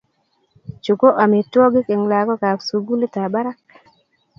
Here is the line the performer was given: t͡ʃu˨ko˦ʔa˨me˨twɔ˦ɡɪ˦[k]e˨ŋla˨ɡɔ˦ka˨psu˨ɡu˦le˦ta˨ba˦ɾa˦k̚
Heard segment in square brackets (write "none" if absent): k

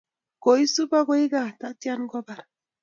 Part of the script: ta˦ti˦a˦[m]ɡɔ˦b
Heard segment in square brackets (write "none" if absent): n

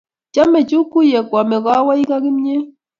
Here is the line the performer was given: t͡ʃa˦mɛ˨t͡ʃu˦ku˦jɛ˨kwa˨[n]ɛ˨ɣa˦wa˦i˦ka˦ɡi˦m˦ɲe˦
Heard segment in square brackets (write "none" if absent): m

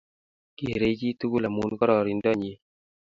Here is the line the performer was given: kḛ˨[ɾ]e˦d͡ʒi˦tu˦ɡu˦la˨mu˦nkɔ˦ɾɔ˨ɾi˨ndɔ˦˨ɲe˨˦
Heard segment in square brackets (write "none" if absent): ɾ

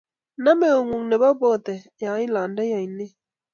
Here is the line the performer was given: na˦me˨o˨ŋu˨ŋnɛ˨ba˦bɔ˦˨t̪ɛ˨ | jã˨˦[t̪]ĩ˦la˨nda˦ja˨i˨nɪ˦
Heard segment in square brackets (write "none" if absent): none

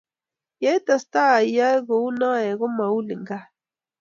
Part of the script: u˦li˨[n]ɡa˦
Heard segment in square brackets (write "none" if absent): ŋ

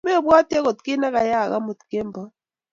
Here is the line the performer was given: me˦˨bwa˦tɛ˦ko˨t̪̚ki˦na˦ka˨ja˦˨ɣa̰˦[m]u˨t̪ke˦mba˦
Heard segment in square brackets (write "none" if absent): m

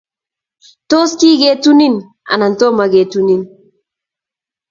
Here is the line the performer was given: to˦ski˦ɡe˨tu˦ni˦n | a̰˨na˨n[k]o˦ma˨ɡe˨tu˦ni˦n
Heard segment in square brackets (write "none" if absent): t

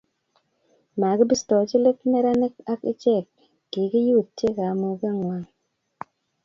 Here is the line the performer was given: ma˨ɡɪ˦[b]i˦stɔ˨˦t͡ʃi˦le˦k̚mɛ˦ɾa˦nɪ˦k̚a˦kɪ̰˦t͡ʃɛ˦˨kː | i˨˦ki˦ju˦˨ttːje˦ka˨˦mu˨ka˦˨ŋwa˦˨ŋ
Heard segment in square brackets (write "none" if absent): b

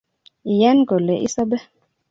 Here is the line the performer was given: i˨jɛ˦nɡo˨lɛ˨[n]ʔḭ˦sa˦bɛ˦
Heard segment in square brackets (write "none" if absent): none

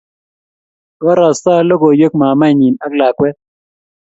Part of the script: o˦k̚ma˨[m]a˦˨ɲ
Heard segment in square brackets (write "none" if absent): m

